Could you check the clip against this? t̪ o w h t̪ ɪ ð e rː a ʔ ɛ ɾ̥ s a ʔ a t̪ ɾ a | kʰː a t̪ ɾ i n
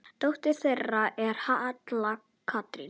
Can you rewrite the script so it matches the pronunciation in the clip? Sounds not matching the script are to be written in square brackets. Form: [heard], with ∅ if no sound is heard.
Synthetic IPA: t̪ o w h t̪ ɪ [θ] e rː a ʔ ɛ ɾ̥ [h] a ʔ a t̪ [l] a | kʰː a t̪ ɾ i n